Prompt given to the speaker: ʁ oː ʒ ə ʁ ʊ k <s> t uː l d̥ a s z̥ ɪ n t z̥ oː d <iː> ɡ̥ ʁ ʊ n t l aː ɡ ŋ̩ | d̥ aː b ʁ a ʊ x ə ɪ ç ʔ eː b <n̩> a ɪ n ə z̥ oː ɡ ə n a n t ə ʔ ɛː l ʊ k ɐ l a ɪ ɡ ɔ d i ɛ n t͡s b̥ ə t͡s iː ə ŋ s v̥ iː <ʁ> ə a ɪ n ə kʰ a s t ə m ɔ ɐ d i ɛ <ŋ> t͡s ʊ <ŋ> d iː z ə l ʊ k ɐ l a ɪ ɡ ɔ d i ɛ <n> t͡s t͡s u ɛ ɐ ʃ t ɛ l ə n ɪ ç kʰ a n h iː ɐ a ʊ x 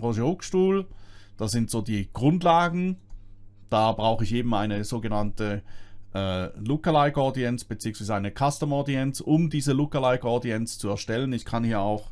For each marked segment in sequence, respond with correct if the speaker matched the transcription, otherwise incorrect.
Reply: incorrect: ʃ, correct, incorrect: m̩, incorrect: z, incorrect: n, incorrect: m, correct

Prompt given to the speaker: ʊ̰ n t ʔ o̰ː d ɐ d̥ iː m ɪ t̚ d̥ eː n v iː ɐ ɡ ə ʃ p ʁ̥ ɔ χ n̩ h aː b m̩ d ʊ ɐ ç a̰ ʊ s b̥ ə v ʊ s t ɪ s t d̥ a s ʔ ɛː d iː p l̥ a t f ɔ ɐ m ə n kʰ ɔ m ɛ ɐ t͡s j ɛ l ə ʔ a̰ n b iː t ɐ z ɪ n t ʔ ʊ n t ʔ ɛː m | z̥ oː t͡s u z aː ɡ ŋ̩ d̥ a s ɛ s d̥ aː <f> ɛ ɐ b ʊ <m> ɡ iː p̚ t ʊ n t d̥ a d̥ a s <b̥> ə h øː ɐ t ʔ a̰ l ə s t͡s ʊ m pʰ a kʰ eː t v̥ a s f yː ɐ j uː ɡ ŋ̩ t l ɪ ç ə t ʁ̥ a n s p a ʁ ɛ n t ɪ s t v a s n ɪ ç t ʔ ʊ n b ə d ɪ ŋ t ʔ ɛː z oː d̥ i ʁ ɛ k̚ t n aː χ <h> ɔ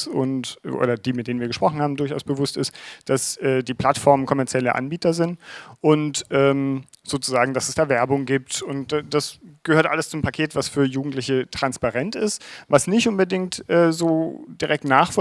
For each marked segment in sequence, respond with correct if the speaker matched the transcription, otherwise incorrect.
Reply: incorrect: v, incorrect: ŋ, incorrect: ɡ̥, incorrect: f

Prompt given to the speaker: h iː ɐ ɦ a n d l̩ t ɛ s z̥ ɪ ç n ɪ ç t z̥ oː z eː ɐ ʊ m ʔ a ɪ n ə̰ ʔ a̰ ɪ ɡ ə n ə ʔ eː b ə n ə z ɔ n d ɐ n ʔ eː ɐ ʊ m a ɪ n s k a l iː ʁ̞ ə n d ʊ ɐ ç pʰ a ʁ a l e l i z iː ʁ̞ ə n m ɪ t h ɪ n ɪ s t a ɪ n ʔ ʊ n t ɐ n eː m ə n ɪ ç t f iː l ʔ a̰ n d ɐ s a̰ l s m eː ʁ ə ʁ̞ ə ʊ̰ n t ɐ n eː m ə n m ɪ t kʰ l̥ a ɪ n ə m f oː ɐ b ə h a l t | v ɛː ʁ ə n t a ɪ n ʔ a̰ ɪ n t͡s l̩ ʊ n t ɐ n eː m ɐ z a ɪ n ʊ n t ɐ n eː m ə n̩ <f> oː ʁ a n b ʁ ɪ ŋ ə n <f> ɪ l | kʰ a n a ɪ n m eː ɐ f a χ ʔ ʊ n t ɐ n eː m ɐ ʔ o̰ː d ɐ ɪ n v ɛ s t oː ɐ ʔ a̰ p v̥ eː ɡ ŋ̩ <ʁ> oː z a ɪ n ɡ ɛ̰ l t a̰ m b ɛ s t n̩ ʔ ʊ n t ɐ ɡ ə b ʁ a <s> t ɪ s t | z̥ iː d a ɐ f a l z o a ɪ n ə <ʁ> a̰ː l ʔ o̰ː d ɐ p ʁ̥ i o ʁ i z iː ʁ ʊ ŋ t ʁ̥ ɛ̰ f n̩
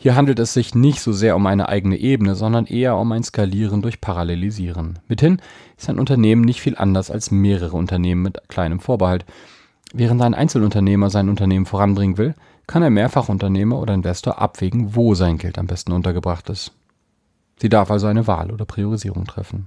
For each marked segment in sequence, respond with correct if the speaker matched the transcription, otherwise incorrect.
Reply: correct, incorrect: v, incorrect: v, incorrect: χ, incorrect: v

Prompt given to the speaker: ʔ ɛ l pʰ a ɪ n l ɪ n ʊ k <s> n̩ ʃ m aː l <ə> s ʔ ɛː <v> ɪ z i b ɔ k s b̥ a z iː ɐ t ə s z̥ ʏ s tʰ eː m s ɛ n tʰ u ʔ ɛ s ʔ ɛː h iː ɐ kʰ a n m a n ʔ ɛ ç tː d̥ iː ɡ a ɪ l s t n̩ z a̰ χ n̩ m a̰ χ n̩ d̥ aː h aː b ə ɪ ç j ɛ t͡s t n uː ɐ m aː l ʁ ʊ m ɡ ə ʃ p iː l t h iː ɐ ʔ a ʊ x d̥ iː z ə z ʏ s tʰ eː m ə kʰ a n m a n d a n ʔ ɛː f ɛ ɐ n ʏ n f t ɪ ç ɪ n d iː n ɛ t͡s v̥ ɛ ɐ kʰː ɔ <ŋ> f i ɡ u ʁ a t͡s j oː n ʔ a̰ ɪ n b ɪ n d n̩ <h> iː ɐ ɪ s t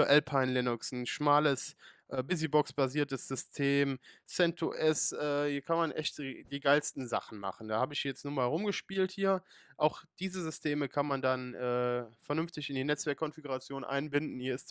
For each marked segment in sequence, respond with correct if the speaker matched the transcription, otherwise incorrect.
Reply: correct, correct, incorrect: b, incorrect: n, correct

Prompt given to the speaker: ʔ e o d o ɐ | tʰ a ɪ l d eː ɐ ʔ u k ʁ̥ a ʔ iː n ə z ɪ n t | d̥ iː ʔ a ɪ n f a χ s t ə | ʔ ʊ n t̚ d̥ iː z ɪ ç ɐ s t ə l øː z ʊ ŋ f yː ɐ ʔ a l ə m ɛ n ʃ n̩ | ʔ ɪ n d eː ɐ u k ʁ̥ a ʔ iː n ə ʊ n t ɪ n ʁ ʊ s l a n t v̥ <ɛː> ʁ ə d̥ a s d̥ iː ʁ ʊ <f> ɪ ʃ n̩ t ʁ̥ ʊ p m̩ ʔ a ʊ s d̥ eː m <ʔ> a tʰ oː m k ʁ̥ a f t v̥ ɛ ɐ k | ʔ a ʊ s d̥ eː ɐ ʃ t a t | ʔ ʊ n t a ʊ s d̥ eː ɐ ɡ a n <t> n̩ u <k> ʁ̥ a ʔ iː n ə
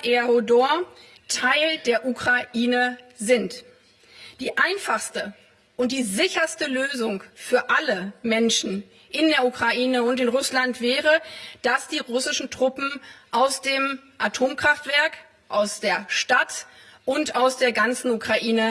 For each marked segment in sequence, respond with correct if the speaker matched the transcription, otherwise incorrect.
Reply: correct, incorrect: s, correct, incorrect: t͡s, correct

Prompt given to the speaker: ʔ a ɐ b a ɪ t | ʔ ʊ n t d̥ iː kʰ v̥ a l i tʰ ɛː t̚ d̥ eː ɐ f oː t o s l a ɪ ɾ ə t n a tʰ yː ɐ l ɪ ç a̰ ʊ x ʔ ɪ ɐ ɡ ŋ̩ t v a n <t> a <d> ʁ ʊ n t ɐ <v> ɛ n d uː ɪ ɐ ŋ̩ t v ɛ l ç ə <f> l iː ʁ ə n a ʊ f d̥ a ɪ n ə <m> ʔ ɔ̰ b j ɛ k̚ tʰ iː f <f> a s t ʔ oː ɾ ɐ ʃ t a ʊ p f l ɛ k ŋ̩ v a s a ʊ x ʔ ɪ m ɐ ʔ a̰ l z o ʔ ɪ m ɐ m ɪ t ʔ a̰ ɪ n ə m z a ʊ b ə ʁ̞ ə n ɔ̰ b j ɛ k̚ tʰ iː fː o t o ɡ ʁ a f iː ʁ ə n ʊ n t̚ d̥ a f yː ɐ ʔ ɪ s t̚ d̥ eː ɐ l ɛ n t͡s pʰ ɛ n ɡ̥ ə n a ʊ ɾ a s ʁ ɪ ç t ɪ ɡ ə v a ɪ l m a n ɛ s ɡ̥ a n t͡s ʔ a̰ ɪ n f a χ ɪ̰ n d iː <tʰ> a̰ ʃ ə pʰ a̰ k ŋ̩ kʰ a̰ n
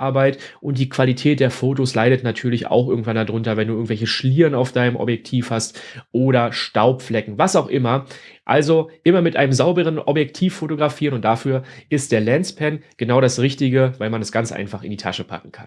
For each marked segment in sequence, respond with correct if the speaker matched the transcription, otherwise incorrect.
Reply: incorrect: d, correct, correct, incorrect: ʃ, correct, incorrect: h, correct

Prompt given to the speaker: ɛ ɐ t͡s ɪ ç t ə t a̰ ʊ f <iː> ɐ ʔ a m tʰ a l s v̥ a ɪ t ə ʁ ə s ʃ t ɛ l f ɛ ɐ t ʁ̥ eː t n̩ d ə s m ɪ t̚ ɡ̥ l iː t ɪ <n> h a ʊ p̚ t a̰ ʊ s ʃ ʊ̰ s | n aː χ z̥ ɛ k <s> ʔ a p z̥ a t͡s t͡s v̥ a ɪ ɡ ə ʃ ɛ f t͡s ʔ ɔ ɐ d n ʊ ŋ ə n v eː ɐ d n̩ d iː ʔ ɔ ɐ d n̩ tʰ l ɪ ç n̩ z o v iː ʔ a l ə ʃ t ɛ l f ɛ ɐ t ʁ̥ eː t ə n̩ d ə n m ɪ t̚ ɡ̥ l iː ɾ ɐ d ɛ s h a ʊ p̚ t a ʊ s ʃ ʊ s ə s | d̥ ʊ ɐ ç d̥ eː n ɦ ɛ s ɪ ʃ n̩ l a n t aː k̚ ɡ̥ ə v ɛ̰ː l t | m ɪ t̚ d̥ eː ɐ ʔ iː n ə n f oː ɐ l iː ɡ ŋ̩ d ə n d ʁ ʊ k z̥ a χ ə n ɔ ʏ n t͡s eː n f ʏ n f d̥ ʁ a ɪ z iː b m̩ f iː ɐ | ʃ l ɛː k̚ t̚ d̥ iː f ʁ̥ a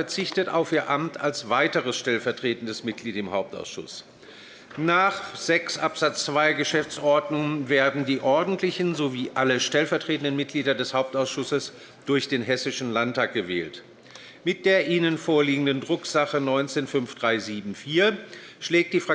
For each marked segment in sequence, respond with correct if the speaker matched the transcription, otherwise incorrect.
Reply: correct, incorrect: m, correct

